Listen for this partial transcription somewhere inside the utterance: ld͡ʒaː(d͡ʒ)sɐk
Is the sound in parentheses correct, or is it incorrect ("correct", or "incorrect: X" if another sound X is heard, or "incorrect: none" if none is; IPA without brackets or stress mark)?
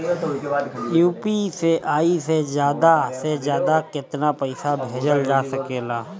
incorrect: none